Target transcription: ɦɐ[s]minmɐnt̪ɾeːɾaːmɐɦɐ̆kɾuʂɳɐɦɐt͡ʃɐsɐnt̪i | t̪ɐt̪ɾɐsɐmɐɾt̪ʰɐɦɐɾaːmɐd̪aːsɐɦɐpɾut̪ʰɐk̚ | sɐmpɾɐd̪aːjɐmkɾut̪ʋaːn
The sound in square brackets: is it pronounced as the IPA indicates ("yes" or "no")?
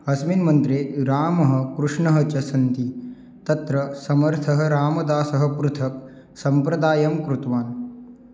yes